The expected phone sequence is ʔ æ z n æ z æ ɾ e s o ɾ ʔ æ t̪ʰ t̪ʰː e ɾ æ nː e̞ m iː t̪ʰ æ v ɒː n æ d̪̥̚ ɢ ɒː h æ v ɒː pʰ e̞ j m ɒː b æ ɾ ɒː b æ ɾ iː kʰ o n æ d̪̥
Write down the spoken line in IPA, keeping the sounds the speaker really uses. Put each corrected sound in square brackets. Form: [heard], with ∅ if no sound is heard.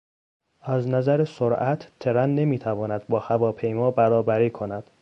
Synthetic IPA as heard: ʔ æ z n æ z æ ɾ e s o ɾ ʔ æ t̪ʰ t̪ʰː e ɾ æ nː e̞ m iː t̪ʰ æ v ɒː n æ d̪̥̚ [b] ɒː h æ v ɒː pʰ e̞ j m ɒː b æ ɾ ɒː b æ ɾ iː kʰ o n æ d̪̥